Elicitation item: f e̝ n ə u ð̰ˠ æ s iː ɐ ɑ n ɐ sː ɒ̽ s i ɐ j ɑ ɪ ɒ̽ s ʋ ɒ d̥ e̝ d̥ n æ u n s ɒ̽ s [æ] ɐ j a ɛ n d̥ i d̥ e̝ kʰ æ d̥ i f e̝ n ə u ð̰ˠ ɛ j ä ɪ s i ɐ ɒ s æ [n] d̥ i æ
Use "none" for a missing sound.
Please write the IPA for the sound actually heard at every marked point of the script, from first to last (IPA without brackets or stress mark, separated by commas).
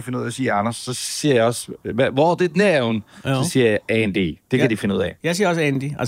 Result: i, n